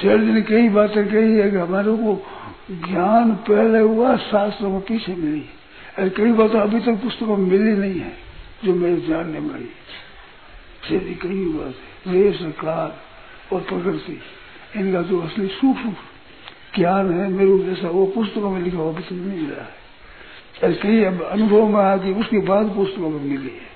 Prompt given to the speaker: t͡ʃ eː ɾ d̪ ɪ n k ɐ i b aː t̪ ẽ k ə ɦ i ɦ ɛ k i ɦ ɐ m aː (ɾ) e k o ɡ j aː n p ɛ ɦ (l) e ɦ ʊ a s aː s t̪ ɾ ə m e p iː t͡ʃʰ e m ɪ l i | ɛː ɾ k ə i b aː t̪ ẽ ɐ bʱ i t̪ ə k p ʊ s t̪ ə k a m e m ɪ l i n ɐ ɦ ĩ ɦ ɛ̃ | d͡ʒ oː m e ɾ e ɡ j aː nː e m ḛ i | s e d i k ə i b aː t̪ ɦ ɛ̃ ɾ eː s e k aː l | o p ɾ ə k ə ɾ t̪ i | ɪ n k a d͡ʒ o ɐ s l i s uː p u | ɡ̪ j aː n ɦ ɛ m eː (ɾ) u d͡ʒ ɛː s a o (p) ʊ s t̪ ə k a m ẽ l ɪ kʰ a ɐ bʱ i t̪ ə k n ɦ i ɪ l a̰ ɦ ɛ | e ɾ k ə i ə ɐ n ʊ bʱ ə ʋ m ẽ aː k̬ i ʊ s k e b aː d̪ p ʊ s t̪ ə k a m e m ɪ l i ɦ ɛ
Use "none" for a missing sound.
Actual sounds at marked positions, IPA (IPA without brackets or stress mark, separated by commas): ɾ, l, ɾ, p